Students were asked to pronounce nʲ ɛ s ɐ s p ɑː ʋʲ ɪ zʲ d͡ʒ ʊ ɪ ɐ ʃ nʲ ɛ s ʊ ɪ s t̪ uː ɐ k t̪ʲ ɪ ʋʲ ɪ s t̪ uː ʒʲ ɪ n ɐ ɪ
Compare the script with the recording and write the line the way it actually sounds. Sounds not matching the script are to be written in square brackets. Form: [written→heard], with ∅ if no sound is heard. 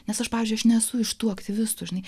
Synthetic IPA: nʲ ɛ s ɐ [s→ʃ] p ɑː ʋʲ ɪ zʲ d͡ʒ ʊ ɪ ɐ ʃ nʲ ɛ s ʊ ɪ [s→ʃ] t̪ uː ɐ k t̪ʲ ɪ ʋʲ ɪ s t̪ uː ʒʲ ɪ n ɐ ɪ